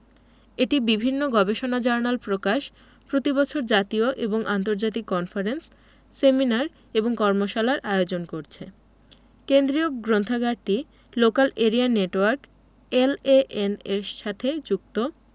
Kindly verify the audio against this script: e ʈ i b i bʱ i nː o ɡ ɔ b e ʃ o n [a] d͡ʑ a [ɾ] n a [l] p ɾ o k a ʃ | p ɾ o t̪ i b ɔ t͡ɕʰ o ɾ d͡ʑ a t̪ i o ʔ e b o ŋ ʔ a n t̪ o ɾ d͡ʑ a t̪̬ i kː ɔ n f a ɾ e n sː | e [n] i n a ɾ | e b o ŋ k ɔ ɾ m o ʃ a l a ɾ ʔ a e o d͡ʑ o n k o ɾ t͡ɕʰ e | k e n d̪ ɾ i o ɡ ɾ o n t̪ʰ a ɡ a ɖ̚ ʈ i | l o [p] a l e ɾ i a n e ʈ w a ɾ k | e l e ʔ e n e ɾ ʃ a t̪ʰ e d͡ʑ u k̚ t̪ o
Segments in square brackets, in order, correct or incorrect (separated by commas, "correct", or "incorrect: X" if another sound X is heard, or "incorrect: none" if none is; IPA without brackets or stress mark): correct, correct, correct, incorrect: m, incorrect: k